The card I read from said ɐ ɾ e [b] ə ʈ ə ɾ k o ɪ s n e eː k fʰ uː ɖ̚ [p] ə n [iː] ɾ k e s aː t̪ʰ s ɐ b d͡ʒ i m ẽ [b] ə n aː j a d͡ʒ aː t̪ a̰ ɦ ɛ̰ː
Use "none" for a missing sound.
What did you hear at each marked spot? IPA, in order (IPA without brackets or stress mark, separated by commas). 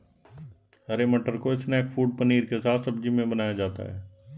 m, p, iː, b